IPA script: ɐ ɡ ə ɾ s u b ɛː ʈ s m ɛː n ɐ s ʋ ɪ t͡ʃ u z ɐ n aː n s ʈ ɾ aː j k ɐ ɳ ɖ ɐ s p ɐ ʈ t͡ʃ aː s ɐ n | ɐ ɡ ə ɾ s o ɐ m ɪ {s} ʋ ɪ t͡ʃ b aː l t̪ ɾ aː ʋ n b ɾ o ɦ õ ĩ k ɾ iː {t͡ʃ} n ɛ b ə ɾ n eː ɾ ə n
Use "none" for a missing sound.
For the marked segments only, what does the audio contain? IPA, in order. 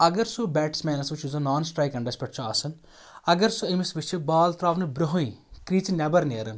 s, t͡ʃ

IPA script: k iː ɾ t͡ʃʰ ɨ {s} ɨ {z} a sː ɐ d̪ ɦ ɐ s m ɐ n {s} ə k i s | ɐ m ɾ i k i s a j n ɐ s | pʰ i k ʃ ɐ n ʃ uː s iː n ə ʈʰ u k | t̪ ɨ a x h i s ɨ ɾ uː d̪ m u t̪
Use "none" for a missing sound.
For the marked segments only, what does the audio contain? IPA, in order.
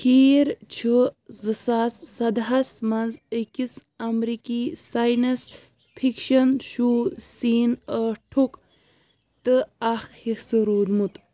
z, s, z

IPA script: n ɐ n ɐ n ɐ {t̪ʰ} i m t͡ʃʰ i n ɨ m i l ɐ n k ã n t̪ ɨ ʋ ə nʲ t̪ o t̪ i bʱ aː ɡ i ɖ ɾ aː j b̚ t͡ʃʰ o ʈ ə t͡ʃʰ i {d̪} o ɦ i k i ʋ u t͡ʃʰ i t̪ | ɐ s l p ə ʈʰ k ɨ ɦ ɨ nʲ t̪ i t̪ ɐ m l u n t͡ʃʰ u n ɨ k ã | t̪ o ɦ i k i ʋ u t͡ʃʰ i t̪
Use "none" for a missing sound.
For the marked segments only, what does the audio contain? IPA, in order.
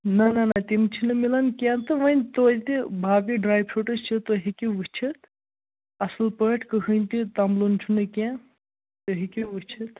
t̪, t̪

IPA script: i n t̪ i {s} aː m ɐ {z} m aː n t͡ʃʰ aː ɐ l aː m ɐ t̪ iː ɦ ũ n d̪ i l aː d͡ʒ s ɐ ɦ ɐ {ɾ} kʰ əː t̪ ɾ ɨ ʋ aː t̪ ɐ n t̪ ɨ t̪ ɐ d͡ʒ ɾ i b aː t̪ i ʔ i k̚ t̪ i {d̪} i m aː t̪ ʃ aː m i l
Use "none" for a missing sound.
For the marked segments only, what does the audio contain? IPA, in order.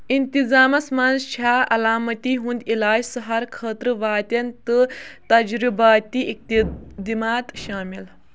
z, s, ɾ, d̪

